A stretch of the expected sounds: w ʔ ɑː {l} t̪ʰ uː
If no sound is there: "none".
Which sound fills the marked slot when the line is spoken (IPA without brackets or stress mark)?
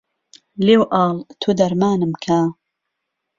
l